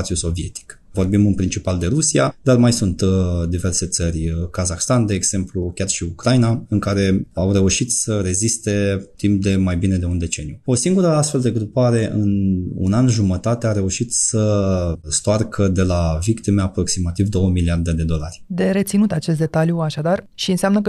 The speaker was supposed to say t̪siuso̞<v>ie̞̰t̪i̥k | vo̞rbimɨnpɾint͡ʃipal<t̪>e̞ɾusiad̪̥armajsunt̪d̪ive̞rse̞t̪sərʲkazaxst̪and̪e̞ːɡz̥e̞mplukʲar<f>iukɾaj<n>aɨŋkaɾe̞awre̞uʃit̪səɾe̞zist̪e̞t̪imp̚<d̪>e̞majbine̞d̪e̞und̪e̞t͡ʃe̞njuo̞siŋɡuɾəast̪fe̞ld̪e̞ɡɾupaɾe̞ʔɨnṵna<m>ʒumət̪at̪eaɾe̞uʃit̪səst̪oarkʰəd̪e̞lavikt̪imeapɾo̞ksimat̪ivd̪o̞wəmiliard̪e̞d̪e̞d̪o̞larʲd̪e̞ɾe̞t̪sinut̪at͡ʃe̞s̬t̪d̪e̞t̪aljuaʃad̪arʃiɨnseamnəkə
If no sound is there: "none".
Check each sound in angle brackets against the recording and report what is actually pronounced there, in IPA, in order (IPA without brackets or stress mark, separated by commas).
v, d̪, ʃ, n, d̪, n